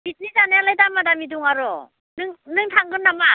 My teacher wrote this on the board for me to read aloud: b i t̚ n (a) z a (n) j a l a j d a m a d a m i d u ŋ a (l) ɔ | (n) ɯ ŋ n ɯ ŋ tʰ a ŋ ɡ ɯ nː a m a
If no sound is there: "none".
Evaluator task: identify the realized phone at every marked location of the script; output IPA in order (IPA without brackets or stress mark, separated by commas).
i, n, ɾ, n